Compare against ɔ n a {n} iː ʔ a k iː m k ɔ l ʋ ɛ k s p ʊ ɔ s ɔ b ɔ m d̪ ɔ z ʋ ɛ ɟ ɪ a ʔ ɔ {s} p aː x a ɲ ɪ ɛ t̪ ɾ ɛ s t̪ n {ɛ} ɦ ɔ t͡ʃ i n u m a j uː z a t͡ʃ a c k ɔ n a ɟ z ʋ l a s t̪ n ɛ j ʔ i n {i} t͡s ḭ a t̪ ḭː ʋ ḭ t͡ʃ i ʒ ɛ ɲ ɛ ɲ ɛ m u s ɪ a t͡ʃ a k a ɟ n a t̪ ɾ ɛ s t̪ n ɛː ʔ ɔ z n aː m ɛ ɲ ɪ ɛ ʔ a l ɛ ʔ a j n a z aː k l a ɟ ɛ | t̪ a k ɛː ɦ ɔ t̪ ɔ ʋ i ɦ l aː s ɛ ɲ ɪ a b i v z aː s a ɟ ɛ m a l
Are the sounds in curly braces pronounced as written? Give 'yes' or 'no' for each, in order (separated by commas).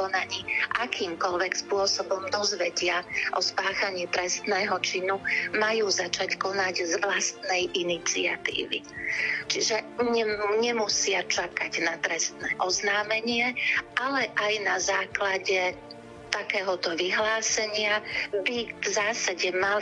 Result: no, yes, no, yes